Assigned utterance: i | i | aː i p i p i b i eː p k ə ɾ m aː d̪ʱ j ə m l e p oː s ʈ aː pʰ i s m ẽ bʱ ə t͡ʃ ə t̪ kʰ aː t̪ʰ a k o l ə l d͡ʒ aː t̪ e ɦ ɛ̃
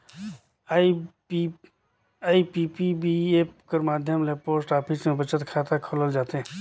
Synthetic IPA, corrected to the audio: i | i | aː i p i p i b i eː p k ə ɾ m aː d̪ʱ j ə m l e p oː s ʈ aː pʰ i s m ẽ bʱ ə t͡ʃ ə t̪ kʰ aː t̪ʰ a kʰ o l ə l d͡ʒ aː t̪ e ɦ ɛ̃